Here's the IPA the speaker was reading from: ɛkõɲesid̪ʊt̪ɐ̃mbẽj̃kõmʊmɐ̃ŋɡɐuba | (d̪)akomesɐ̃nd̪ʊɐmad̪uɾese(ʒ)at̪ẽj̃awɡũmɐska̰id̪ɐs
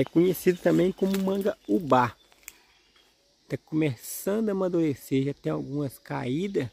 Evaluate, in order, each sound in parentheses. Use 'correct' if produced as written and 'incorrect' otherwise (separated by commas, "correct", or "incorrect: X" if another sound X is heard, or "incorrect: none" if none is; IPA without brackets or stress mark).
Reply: incorrect: t̪, correct